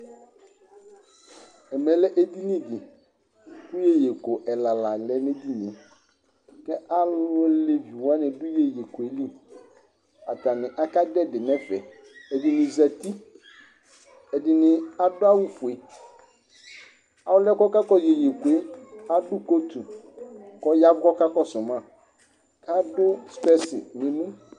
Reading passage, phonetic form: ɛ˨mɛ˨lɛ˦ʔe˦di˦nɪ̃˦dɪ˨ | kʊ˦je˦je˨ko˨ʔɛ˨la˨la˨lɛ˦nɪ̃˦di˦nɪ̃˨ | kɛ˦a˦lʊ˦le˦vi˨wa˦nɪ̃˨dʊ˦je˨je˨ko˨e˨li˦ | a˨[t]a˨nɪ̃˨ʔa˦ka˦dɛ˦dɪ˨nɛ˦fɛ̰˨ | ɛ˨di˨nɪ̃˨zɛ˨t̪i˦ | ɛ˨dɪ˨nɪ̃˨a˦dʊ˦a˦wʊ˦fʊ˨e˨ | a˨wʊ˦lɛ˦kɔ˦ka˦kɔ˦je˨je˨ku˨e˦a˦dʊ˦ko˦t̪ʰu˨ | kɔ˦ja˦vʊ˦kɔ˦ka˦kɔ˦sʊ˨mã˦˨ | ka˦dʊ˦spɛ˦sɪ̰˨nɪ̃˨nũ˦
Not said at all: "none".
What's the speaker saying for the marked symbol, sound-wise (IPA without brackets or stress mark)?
t